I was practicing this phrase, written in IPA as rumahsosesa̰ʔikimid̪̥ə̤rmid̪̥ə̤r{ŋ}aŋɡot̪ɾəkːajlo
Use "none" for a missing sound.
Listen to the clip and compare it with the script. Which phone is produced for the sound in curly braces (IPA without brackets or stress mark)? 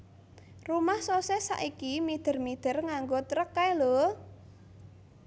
ŋ